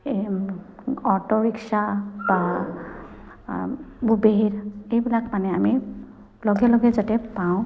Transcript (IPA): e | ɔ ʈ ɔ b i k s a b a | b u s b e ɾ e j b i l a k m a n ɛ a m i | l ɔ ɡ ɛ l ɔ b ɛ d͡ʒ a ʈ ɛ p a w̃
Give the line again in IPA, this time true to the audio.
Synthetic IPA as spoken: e | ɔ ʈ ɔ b i k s a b a | b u b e ɾ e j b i l a k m a n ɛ a m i | l ɔ ɡ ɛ l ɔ ɡ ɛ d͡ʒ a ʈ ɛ p a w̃